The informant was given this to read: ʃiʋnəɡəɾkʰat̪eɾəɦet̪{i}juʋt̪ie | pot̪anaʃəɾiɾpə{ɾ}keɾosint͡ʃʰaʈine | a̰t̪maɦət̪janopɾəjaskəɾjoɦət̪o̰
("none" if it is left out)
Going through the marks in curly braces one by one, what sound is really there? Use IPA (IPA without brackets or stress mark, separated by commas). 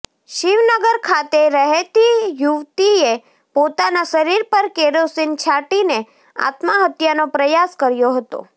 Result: i, ɾ